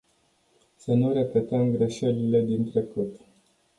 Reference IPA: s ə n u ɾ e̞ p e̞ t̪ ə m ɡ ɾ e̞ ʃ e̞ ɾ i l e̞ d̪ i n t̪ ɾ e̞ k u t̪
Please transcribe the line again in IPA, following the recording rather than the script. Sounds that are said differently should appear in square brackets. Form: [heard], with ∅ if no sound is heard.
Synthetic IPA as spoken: s ə n u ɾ e̞ p e̞ t̪ ə m ɡ ɾ e̞ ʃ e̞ [l] i l e̞ d̪ i n t̪ ɾ e̞ k u t̪

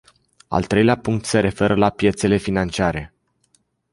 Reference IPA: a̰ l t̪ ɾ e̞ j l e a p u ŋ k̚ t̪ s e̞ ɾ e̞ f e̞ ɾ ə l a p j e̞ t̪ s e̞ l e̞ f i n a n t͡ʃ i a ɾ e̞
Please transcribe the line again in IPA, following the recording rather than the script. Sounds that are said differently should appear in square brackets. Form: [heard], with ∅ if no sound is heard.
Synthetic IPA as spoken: a̰ l t̪ ɾ e̞ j l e a p u ŋ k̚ t̪ s e̞ ɾ e̞ f e̞ ɾ ə l a p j e̞ t̪ s e̞ l e̞ f i n a n t͡ʃ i a ɾ e̞

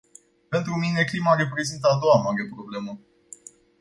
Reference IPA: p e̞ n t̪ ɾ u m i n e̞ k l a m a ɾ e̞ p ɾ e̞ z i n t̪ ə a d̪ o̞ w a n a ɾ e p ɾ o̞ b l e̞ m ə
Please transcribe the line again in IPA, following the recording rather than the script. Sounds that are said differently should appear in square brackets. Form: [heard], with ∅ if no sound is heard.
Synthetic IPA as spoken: p e̞ n t̪ ɾ u m i n e̞ k l [i] m a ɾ e̞ p ɾ e̞ z i n t̪ ə a d̪ o̞ w a [m] a ɾ e p ɾ o̞ b l e̞ m ə

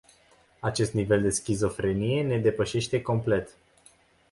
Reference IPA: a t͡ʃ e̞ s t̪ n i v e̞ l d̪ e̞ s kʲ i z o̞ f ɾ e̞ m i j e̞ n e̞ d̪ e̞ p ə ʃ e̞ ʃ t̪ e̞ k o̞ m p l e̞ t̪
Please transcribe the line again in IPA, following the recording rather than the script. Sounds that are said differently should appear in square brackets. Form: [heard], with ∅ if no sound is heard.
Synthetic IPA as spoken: a t͡ʃ e̞ s t̪ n i v e̞ l d̪ e̞ s kʲ i z o̞ f ɾ e̞ [n] i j e̞ n e̞ d̪ e̞ p ə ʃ e̞ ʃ t̪ e̞ k o̞ m p l e̞ t̪

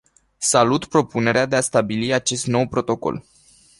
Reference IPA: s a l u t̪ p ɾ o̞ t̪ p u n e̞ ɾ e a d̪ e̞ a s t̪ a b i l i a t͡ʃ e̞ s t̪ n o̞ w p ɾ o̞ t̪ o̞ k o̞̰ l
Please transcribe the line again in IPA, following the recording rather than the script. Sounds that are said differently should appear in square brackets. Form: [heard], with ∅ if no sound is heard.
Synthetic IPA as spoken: s a l u t̪ p ɾ o̞ [∅] p u n e̞ ɾ e a d̪ e̞ a s t̪ a b i l i a t͡ʃ e̞ s t̪ n o̞ w p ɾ o̞ t̪ o̞ k o̞̰ l

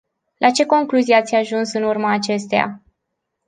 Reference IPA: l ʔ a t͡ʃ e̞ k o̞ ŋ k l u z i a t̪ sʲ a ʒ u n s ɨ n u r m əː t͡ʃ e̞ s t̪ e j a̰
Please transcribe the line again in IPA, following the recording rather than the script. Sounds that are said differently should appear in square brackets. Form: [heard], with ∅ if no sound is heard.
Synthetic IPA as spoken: l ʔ a t͡ʃ e̞ k o̞ ŋ k l u z i a t̪ sʲ a ʒ u n s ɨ n u r m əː t͡ʃ e̞ s t̪ e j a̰

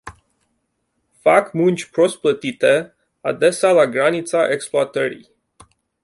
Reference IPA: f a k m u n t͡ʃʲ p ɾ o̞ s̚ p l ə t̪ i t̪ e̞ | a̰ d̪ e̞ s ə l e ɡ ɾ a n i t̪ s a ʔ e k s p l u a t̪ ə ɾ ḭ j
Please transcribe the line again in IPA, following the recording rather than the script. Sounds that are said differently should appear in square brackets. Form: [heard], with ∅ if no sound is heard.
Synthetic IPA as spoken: f a k m u n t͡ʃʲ p ɾ o̞ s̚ p l ə t̪ i t̪ e̞ | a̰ d̪ e̞ s [a] l [a] ɡ ɾ a n i t̪ s a ʔ e k s p l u a t̪ ə ɾ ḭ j

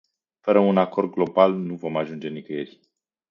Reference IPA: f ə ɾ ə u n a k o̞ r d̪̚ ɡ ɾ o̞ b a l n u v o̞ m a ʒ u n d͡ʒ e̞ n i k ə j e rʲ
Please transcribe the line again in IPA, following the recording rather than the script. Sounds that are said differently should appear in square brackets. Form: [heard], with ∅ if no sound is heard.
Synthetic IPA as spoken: f ə ɾ ə u n a k o̞ r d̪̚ ɡ [l] o̞ b a l n u v o̞ m a ʒ u n d͡ʒ e̞ n i k ə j e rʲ

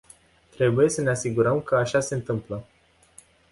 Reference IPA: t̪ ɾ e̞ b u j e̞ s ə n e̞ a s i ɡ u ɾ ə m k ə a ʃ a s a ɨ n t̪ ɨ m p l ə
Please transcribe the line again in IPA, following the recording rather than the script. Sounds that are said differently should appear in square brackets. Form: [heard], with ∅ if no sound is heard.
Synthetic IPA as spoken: t̪ ɾ e̞ b u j e̞ s ə n e̞ a s i ɡ u ɾ ə m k ə a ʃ a s [e] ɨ n t̪ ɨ m p l ə

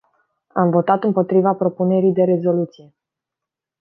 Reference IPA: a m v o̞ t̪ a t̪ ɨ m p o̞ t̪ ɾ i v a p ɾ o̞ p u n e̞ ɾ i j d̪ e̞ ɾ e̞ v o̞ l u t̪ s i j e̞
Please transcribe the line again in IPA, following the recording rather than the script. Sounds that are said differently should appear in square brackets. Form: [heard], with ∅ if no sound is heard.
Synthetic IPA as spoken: a m v o̞ t̪ a t̪ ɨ m p o̞ t̪ ɾ i v a p ɾ o̞ p u n e̞ ɾ i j d̪ e̞ ɾ e̞ [z] o̞ l u t̪ s i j e̞

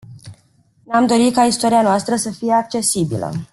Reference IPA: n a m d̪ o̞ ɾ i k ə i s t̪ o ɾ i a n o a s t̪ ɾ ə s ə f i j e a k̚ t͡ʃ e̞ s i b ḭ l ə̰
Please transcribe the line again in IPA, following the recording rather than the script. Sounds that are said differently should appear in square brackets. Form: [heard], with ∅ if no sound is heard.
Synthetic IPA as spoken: n a m d̪ o̞ ɾ i k [a] i s t̪ o ɾ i a n o a s t̪ ɾ ə s ə f i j e a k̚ t͡ʃ e̞ s i b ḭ l ə̰

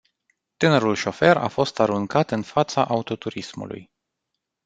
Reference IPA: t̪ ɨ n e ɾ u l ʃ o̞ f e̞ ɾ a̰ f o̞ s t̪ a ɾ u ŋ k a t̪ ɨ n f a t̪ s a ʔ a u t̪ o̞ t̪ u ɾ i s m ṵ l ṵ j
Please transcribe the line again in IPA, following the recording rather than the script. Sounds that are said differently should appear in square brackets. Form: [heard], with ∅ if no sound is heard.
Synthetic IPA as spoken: t̪ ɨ n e ɾ u l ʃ o̞ f e̞ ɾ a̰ f o̞ s t̪ a ɾ u ŋ k a t̪ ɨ n f a t̪ s a ʔ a u t̪ o̞ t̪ u ɾ i s m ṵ l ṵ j

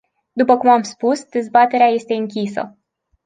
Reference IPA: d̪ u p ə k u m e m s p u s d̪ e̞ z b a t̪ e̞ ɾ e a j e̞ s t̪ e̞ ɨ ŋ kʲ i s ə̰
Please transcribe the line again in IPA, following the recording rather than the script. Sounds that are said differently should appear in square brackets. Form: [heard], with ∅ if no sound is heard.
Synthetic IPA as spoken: d̪ u p ə k u m [a] m s p u s d̪ e̞ z b a t̪ e̞ ɾ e a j e̞ s t̪ e̞ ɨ ŋ kʲ i s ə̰

